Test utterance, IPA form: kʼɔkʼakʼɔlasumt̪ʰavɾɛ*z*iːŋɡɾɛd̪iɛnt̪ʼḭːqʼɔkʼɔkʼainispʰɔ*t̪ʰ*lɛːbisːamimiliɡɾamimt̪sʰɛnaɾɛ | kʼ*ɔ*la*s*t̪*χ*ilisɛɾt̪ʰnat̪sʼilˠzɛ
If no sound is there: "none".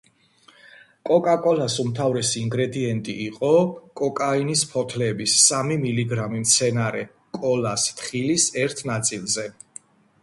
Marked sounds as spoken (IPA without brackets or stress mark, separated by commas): s, t̪ʰ, ɔ, s, χ